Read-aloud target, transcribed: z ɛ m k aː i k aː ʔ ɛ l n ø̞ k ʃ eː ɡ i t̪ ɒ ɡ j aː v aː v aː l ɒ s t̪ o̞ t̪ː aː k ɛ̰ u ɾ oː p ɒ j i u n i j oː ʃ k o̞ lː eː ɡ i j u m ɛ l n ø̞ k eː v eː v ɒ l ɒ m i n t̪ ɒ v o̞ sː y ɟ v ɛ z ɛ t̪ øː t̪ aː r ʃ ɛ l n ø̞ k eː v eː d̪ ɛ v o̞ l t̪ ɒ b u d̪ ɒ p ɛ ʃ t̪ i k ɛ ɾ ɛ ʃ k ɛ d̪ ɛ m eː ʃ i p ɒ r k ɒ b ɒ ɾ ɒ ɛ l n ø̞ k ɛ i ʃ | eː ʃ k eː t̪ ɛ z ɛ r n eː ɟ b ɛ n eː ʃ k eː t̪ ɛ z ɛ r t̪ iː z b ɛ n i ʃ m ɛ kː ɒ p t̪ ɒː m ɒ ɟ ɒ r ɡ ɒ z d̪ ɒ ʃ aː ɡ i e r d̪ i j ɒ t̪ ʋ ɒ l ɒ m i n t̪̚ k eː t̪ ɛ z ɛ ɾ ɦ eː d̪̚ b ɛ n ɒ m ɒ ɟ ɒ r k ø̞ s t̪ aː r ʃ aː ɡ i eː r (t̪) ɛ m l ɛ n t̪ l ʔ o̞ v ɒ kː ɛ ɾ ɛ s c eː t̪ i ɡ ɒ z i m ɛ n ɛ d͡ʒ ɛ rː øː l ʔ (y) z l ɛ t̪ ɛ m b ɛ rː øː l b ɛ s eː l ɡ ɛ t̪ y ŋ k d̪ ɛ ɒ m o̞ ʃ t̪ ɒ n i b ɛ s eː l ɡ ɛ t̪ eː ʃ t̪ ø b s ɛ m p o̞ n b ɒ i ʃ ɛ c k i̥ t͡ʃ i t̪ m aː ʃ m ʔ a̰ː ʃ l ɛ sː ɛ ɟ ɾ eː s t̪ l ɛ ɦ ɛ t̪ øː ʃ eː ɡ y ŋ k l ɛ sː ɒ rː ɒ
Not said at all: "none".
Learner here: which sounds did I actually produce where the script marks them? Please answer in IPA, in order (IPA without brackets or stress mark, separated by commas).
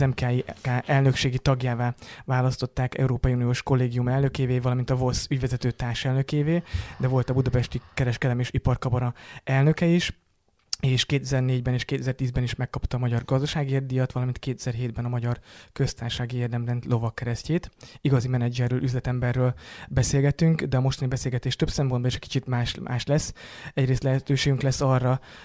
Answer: d̪, y